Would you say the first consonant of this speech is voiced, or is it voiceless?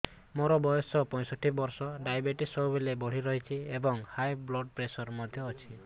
voiced